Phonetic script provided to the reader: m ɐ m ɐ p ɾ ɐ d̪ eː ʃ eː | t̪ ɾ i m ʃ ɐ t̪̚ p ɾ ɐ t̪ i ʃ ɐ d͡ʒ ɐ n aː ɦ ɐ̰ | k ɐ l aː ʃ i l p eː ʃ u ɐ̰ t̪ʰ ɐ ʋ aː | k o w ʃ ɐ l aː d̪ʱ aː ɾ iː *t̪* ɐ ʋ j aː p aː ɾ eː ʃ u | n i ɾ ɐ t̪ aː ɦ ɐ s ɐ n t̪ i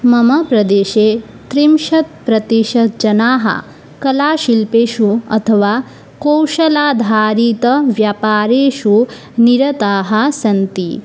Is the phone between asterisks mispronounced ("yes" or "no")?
no